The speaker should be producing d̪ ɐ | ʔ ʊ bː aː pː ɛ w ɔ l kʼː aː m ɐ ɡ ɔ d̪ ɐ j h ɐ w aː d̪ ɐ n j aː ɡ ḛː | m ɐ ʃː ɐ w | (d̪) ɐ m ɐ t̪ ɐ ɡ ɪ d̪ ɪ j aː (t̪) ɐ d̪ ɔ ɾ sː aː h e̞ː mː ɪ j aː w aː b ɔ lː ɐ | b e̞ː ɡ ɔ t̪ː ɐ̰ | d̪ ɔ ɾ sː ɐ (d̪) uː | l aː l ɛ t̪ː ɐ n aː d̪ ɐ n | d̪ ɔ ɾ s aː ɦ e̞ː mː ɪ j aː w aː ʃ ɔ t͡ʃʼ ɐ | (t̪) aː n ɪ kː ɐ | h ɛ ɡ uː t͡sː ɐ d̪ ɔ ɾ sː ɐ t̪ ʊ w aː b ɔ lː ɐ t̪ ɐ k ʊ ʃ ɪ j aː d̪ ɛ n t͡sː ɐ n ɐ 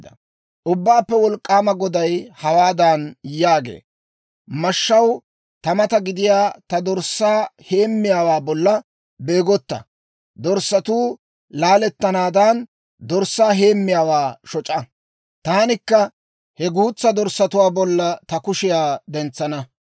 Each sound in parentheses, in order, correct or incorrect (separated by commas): incorrect, correct, incorrect, correct